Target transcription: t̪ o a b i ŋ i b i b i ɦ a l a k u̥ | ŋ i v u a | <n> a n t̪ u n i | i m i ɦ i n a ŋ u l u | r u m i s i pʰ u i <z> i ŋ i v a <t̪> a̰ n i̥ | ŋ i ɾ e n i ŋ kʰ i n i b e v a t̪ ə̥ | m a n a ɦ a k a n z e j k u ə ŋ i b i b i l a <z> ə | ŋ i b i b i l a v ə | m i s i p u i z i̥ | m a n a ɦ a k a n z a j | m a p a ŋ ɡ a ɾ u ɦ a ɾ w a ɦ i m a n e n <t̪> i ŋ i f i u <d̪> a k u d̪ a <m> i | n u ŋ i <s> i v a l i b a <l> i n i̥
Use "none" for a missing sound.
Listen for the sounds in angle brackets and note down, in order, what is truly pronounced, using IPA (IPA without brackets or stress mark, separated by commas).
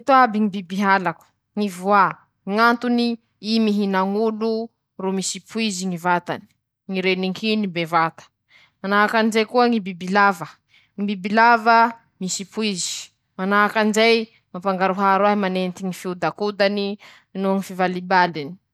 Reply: ŋ, z, t̪, v, t̪, d̪, n, f, l